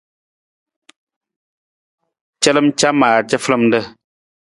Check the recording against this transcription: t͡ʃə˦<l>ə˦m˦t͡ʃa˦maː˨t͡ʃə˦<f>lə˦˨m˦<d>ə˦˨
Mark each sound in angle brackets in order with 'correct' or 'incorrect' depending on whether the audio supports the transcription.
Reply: correct, correct, correct

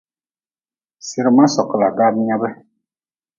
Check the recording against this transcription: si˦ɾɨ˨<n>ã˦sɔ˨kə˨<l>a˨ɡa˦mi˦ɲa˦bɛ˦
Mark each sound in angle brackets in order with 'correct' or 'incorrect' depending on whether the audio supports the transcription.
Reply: incorrect: m, correct

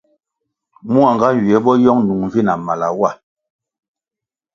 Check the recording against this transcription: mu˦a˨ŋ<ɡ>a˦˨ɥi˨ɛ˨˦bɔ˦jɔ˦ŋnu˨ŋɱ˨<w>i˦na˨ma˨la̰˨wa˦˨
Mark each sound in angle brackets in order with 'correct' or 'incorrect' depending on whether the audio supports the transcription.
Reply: correct, incorrect: v

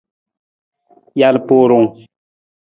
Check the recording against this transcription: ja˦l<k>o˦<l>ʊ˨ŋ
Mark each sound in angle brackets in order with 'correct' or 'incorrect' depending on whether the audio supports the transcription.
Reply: incorrect: p, incorrect: ɾ

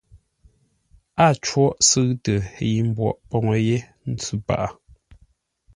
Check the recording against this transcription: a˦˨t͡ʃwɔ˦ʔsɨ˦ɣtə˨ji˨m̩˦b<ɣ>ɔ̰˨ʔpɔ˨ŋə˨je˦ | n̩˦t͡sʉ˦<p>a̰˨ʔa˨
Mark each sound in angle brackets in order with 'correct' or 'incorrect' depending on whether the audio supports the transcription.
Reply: incorrect: w, correct

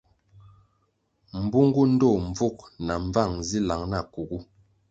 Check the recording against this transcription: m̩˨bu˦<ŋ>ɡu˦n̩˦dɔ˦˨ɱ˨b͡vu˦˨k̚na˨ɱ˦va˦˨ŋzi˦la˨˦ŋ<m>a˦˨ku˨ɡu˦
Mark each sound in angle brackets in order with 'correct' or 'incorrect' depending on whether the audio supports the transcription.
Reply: correct, incorrect: n

